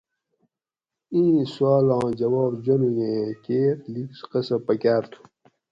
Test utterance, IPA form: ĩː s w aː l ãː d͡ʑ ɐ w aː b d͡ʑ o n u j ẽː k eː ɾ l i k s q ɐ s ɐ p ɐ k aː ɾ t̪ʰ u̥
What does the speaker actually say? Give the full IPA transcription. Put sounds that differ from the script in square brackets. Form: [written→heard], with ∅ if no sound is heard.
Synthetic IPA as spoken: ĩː s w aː l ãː d͡ʑ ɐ w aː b d͡ʑ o n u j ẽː k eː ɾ l i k s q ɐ s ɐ p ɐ k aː ɾ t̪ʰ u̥